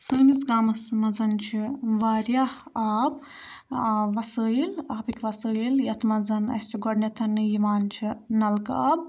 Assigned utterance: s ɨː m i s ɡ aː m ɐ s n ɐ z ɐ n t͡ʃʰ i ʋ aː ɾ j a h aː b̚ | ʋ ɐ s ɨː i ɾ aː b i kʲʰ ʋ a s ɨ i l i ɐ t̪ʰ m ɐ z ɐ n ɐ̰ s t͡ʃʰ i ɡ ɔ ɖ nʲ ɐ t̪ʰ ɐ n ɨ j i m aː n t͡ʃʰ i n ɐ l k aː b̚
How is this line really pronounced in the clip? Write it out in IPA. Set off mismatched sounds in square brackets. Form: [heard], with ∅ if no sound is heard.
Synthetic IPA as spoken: s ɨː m i s ɡ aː m ɐ s [m] ɐ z ɐ n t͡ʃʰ i ʋ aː ɾ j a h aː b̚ | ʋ ɐ s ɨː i [l] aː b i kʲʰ ʋ [ɐ] s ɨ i l [j] ɐ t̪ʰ m ɐ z ɐ n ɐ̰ s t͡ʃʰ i ɡ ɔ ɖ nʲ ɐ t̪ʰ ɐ n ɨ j i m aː n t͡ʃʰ i n ɐ l k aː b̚

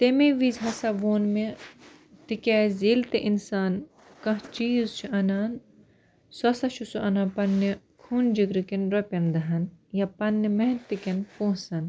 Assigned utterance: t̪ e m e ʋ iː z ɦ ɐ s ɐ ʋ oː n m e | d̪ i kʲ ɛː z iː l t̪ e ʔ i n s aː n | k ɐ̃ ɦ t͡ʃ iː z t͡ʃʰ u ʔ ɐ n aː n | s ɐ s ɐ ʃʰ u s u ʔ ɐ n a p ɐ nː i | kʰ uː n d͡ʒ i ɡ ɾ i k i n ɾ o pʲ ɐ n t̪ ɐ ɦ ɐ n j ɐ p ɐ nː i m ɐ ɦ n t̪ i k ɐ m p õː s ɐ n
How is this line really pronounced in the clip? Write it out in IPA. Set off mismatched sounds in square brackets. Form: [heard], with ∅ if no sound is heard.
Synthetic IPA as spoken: t̪ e m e ʋ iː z ɦ ɐ s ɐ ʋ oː n m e | [t̪] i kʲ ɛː z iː l t̪ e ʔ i n s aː n | k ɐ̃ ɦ t͡ʃ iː z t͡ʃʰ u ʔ ɐ n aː n | s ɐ s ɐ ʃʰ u s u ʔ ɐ n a p ɐ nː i | kʰ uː n d͡ʒ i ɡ ɾ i k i n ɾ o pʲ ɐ n [d̪] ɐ ɦ ɐ n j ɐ p ɐ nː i m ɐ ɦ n t̪ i k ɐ [n] p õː s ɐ n

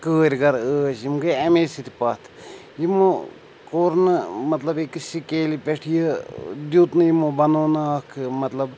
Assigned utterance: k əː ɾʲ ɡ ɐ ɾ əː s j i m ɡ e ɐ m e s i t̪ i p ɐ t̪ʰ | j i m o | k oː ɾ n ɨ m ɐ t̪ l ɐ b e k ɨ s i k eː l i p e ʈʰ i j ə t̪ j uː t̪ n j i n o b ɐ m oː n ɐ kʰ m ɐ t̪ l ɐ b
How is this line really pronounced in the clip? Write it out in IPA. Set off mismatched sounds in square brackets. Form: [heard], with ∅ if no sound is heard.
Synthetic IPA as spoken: k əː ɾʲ ɡ ɐ ɾ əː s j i m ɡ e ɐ m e s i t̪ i p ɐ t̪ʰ | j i m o | k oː ɾ n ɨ m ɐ t̪ l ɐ b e k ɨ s i k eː l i p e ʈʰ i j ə [d̪] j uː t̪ n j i [m] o b ɐ [n] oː n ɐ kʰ m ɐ t̪ l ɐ b

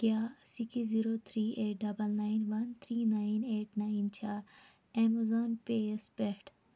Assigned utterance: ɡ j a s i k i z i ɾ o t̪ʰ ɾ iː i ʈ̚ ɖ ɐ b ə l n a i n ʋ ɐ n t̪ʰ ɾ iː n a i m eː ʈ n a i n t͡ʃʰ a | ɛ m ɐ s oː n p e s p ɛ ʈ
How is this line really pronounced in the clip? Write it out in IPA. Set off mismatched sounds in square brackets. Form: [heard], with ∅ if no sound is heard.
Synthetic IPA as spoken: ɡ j a s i k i z i ɾ o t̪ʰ ɾ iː [e] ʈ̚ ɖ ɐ b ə l n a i n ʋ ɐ n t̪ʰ ɾ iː n a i [n] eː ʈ n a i n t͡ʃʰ a | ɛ m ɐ [z] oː n p e s p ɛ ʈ

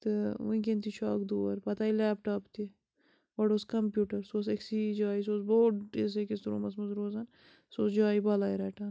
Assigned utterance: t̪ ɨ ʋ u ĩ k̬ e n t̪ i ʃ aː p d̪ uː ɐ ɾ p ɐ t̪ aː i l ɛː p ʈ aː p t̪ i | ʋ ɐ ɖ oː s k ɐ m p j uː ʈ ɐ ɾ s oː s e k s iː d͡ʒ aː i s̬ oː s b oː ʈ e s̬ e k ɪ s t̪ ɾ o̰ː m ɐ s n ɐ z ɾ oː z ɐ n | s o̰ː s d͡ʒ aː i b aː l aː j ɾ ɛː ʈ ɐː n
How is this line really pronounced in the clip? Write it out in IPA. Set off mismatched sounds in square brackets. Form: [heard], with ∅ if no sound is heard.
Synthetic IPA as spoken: t̪ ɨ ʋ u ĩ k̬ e n t̪ i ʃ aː [k] d̪ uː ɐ ɾ p ɐ t̪ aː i l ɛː p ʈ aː p t̪ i | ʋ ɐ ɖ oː s k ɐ m p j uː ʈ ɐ ɾ s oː s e k s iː d͡ʒ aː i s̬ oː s b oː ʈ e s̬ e k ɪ s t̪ ɾ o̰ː m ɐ s [m] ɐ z ɾ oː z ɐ n | s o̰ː s d͡ʒ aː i b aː l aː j ɾ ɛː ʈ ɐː n

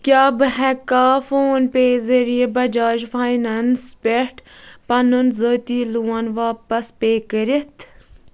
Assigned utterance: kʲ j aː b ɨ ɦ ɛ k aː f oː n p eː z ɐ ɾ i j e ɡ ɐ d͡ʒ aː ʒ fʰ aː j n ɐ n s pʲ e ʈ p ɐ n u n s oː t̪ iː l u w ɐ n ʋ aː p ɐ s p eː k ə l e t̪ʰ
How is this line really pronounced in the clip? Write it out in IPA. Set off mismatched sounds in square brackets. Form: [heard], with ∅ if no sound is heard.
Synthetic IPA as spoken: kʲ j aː b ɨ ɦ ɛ k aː f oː n p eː z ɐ ɾ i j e [b] ɐ d͡ʒ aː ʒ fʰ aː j n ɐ n s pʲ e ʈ p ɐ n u n [z] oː t̪ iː l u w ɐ n ʋ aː p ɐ s p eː k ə [ɾ] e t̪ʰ

